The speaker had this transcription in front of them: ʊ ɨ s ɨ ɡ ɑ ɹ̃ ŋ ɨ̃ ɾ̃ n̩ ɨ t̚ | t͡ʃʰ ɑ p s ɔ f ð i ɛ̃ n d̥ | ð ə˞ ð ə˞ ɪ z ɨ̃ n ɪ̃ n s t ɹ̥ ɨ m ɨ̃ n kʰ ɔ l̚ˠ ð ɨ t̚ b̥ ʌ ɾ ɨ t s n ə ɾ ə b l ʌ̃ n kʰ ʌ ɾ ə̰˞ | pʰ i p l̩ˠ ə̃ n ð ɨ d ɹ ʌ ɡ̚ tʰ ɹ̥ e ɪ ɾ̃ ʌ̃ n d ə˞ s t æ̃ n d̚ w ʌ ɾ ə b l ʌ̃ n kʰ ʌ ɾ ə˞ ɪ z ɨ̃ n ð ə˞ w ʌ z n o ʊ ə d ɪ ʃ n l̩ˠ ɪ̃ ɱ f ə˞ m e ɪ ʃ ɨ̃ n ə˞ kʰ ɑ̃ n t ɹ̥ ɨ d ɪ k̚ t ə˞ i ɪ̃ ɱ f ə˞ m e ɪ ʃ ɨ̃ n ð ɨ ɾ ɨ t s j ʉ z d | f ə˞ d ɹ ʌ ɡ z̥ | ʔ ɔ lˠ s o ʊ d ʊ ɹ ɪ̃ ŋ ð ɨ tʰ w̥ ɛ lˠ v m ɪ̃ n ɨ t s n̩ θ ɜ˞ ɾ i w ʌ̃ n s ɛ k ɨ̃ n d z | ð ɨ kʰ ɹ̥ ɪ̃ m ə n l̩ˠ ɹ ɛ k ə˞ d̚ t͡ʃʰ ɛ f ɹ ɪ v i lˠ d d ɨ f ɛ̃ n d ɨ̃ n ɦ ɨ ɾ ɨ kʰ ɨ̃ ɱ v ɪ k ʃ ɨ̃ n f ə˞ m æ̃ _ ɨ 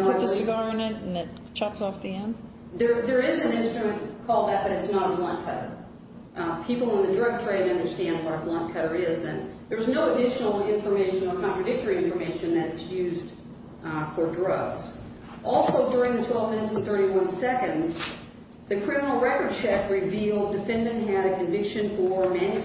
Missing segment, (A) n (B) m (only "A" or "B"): A